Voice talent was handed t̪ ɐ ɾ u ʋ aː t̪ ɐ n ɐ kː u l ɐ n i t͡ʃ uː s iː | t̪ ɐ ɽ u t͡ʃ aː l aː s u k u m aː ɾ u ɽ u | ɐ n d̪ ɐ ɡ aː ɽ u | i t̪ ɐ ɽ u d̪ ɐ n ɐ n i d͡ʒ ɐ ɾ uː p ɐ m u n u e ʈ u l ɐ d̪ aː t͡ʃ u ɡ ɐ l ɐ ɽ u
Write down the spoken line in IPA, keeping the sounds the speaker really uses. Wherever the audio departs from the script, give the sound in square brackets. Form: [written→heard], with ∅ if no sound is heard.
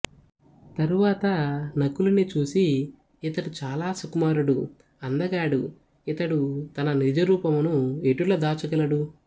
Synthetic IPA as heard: t̪ ɐ ɾ u ʋ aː t̪ ɐ n ɐ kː u l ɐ n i t͡ʃ uː s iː | t̪ ɐ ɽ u t͡ʃ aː l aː s u k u m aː ɾ u ɽ u | ɐ n d̪ ɐ ɡ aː ɽ u | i t̪ ɐ ɽ u [d̪→t̪] ɐ n ɐ n i d͡ʒ ɐ ɾ uː p ɐ m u n u e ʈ u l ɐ d̪ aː t͡ʃ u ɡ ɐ l ɐ ɽ u